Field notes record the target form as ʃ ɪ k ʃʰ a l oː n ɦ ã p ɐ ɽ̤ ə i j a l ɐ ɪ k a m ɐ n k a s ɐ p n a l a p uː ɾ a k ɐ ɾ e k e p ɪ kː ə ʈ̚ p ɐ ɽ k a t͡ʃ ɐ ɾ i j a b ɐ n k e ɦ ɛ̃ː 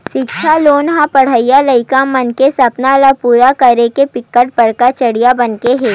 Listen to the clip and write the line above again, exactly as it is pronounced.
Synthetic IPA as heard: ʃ ɪ k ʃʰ a l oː n ɦ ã p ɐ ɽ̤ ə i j a l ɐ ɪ k a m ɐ n k e s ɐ p n a l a p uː ɾ a k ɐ ɾ e k e p ɪ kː ə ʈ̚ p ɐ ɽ k a t͡ʃ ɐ ɽ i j a b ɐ n k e ɦ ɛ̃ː